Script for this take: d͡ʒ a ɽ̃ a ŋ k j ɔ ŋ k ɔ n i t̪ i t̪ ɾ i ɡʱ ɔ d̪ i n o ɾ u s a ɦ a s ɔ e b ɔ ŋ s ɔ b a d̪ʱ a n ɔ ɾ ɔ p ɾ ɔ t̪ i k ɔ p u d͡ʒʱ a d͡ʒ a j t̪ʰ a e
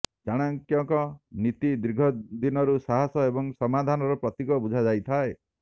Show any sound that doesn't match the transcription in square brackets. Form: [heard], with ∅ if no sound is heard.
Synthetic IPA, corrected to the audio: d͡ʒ a ɽ̃ a ŋ k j ɔ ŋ k ɔ n i t̪ i [d̪] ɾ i ɡʱ ɔ d̪ i n [ɔ] ɾ u s a ɦ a s ɔ e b ɔ ŋ s ɔ [m] a d̪ʱ a n ɔ ɾ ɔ p ɾ ɔ t̪ i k ɔ [b] u d͡ʒʱ a d͡ʒ a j t̪ʰ a e